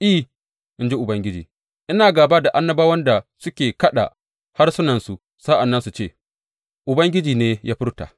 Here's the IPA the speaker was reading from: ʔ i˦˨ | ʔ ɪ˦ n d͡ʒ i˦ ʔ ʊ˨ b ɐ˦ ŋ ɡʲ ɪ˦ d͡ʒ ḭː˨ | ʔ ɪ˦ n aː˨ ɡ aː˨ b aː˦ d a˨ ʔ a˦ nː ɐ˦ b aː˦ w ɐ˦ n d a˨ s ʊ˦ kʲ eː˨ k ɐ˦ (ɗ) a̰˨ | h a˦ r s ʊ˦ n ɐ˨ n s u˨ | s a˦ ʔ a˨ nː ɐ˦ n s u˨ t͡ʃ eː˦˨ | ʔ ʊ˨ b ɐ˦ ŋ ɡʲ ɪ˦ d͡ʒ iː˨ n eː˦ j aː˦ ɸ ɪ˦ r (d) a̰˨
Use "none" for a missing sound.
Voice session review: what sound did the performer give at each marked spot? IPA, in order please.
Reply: ɗ, t

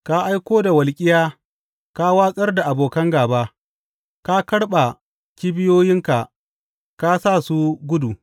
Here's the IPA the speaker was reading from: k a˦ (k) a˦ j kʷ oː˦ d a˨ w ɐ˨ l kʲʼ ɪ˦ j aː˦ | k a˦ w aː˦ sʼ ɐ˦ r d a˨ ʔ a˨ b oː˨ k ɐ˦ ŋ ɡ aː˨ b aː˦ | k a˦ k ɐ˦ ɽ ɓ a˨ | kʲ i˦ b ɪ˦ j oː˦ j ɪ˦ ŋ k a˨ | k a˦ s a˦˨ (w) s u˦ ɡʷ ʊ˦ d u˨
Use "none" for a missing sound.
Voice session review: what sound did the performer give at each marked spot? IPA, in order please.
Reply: ʔ, none

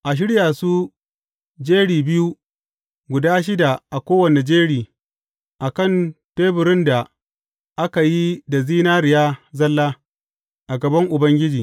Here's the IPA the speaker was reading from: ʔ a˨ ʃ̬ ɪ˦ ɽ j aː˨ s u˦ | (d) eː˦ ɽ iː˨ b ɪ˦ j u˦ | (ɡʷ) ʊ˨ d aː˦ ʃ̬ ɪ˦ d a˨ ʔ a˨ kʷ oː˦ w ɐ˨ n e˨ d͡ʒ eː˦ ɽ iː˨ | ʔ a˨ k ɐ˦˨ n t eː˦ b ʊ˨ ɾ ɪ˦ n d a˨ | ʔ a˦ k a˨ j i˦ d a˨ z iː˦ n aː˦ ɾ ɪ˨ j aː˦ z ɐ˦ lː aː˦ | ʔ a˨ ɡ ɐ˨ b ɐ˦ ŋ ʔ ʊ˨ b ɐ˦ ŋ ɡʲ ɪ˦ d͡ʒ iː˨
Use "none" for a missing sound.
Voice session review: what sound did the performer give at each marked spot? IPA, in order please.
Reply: d͡ʒ, ɡʷ

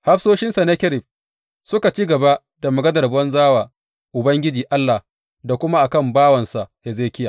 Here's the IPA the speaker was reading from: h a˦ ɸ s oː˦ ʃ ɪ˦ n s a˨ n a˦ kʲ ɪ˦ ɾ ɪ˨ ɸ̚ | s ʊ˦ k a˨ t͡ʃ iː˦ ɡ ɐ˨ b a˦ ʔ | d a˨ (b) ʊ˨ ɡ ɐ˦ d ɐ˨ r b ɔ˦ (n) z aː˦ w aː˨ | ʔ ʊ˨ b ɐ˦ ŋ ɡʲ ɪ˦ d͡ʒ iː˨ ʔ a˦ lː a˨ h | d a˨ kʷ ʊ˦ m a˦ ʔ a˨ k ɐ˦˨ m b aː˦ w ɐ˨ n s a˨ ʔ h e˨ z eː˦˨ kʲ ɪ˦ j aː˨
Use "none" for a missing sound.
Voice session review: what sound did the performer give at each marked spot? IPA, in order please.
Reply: m, n

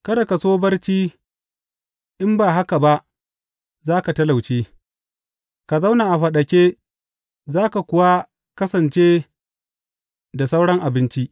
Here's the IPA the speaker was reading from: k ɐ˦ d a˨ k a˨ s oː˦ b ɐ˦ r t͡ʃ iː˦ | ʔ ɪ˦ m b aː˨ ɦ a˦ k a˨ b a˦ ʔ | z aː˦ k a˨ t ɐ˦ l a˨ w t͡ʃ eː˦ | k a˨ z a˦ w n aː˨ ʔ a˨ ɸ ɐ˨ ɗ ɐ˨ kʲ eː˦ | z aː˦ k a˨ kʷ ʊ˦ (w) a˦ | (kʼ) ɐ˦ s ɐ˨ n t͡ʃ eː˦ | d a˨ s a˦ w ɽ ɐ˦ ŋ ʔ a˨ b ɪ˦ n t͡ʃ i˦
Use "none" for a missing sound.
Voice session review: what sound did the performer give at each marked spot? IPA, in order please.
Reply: w, k

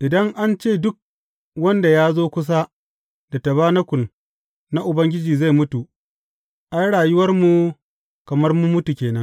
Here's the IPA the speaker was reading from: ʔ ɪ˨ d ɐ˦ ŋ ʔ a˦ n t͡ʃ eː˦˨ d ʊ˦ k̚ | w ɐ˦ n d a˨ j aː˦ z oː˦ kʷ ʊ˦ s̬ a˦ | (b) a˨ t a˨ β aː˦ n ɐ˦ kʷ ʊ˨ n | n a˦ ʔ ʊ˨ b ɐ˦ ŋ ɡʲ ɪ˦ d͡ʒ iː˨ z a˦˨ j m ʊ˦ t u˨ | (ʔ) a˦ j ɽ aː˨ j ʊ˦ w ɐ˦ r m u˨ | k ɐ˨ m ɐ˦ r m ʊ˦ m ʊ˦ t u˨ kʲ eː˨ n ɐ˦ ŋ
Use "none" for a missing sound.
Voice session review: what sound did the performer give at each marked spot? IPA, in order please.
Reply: d, ʔ

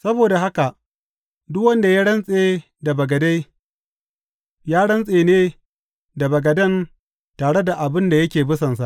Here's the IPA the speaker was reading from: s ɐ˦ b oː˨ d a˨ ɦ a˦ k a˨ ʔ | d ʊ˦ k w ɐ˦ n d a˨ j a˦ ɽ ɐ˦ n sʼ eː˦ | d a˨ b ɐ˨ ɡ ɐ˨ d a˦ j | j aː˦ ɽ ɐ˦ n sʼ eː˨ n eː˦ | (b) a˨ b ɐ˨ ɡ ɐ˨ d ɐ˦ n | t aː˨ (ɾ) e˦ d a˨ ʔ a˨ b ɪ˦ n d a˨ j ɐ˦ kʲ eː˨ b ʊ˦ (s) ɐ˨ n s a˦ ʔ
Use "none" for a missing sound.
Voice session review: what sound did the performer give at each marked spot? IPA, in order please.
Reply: d, ɽ, s

